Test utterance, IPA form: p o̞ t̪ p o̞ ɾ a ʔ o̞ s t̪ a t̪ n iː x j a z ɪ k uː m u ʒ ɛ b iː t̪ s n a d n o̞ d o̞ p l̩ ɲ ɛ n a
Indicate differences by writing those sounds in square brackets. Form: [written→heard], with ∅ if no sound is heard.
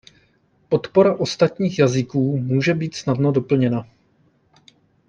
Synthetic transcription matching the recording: p o̞ t̪ p o̞ ɾ a ʔ o̞ s t̪ a t̪ [n→ɲ] iː x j a z ɪ k uː m [u→uː] ʒ ɛ b iː t̪ s n a d n o̞ d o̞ p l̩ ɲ ɛ n a